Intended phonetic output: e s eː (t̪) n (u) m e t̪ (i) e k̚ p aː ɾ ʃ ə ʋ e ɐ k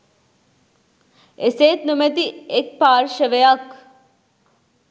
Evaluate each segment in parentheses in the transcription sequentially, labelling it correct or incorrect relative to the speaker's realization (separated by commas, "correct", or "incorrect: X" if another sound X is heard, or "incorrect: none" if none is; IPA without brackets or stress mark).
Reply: correct, correct, correct